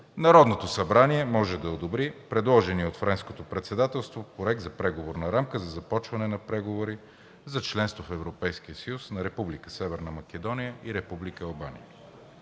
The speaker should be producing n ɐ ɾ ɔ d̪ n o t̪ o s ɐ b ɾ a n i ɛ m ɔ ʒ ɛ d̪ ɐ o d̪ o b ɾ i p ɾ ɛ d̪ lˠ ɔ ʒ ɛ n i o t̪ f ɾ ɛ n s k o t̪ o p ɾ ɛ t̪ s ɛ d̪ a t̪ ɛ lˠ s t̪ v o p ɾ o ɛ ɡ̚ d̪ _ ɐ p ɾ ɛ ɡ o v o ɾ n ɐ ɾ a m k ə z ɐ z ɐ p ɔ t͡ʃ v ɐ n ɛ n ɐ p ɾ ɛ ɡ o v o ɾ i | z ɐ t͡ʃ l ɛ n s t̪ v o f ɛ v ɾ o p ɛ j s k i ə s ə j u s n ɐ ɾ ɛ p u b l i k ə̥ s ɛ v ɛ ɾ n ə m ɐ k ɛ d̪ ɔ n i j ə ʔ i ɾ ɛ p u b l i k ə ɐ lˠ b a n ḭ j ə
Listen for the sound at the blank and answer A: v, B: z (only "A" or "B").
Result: B